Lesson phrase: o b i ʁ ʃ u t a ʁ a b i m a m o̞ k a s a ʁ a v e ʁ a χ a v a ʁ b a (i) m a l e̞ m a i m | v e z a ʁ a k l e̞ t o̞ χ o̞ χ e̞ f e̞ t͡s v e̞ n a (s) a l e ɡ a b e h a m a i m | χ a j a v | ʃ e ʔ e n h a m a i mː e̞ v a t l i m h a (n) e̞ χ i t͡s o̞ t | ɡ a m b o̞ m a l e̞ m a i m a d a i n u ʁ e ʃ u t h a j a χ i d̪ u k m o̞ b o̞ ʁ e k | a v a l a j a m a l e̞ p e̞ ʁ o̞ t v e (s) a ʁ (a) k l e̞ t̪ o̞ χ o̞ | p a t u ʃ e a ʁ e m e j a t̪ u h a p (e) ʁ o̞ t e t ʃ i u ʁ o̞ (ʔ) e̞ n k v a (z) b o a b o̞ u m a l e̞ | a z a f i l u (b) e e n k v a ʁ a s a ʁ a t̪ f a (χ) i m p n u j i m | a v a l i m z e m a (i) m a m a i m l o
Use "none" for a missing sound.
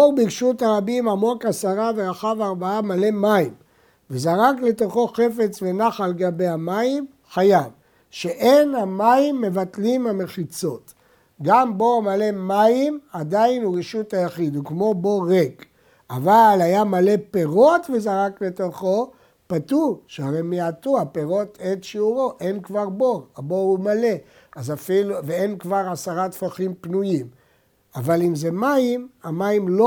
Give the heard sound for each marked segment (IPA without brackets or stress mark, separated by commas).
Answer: a, χ, m, z, a, e, ʔ, ʁ, v, χ, i